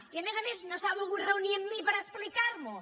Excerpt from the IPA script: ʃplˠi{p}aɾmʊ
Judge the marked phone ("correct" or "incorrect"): incorrect